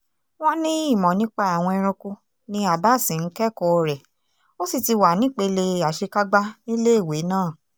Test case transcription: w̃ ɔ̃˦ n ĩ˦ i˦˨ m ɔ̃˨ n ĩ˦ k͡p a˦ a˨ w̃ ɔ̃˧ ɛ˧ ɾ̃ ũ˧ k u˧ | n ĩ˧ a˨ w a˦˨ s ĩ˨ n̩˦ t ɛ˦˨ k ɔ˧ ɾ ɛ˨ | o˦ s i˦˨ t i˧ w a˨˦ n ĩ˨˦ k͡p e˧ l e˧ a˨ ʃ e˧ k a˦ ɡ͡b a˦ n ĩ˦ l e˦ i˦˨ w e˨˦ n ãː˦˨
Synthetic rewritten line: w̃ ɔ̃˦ n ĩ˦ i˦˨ m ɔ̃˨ n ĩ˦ k͡p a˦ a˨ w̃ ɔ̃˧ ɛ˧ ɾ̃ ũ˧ k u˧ | n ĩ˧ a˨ b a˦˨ s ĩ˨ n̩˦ k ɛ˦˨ k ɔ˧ ɾ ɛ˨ | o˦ s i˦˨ t i˧ w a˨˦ n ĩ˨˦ k͡p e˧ l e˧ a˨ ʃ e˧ k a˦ ɡ͡b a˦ n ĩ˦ l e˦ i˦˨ w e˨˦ n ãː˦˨